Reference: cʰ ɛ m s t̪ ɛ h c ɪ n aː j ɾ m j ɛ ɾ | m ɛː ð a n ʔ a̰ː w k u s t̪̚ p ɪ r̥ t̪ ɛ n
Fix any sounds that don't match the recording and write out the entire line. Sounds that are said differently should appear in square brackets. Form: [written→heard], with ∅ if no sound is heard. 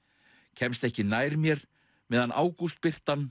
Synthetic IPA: cʰ ɛ m s t̪ ɛ h c ɪ n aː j ɾ m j ɛ ɾ | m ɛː ð a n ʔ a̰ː w k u s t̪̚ p ɪ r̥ t̪ [ɛ→a] n